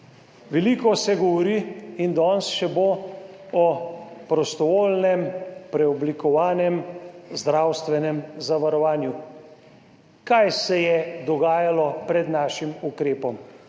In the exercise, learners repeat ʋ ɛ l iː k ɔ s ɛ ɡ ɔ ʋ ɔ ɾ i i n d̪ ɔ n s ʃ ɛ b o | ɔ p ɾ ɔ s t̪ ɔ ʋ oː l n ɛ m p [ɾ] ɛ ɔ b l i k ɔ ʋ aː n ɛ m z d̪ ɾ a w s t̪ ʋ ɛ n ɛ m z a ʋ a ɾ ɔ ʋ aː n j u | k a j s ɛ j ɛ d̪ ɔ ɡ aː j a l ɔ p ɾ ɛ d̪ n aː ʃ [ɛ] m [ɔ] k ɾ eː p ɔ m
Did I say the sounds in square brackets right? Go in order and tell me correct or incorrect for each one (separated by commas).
correct, incorrect, incorrect